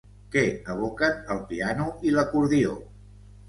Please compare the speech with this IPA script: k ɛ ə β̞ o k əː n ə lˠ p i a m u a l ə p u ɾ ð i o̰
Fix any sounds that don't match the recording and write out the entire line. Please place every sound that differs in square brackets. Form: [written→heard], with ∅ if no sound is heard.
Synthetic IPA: k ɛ ə β̞ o k [əː→ə] n ə lˠ p i a [m→n] u [a→i] l ə [p→k] u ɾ ð i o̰